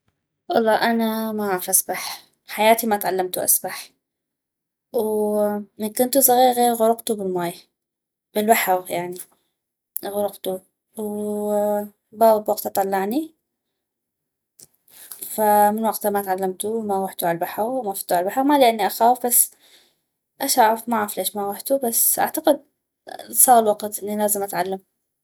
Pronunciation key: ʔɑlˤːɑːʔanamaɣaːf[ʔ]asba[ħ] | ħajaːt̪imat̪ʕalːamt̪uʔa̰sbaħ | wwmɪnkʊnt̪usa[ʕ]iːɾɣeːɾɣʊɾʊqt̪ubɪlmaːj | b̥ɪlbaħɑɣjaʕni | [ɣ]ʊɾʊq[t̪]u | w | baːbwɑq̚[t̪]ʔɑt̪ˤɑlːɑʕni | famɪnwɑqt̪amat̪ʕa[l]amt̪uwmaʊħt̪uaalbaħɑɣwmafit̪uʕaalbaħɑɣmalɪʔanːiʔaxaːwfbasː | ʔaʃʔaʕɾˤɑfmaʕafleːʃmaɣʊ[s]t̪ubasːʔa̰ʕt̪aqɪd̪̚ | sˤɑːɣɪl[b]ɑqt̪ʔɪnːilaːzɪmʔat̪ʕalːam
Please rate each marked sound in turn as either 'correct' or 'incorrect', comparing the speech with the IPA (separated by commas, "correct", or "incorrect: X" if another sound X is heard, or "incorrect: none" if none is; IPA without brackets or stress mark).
correct, correct, incorrect: ɣ, correct, correct, correct, incorrect: lː, incorrect: ħ, incorrect: w